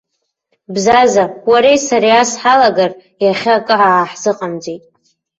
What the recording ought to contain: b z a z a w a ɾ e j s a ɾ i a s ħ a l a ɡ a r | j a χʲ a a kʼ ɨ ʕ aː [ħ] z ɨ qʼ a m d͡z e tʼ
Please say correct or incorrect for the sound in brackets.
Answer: correct